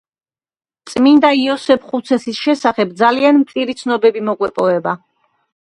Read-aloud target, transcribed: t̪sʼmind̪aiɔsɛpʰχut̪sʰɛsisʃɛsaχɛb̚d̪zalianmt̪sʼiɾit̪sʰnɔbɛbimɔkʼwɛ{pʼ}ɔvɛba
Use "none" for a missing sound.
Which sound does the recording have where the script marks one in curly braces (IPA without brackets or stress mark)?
pʼ